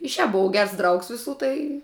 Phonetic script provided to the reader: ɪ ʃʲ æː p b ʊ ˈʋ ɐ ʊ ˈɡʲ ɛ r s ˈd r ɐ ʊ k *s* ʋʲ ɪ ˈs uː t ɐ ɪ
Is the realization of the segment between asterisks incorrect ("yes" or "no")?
no